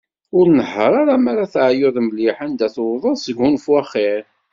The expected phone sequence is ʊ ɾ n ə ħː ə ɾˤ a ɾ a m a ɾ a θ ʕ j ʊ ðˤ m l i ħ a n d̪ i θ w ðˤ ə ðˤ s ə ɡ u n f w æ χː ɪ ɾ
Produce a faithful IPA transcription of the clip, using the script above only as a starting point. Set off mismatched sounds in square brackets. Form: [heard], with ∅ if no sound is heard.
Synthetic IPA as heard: ʊ ɾ n ə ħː ə ɾˤ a ɾ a m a ɾ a θ ʕ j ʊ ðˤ m l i ħ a n d̪ [æ] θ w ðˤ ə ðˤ s ə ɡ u n f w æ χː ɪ ɾ